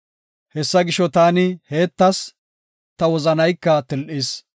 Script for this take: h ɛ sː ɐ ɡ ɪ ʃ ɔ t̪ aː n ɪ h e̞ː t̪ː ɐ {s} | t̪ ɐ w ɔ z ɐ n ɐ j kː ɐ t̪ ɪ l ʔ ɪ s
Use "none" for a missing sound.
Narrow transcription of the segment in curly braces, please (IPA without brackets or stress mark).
s